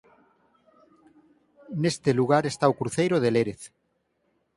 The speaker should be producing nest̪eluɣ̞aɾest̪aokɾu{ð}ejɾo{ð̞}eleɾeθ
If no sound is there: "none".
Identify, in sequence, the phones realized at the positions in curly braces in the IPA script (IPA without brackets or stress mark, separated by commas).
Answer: θ, ð̞